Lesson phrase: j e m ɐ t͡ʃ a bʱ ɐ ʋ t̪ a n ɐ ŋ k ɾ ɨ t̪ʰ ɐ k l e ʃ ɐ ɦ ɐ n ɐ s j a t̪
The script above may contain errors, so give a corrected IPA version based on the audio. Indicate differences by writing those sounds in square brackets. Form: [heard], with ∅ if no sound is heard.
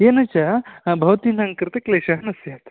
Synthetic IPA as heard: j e [n] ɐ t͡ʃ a bʱ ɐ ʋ t̪ [i] n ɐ ŋ k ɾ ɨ [t̪] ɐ k l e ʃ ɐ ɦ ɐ n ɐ s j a t̪